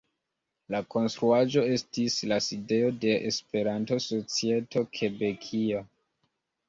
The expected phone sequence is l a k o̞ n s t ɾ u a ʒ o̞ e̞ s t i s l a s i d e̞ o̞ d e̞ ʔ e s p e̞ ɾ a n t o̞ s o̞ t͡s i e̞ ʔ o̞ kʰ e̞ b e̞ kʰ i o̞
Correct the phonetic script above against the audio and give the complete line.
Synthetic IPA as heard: l a k o̞ n s t ɾ u a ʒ o̞ e̞ s t i s l a s i d e̞ o̞ d e̞ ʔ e s p e̞ ɾ a n t o̞ s o̞ t͡s i e̞ t o̞ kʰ e̞ b e̞ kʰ i o̞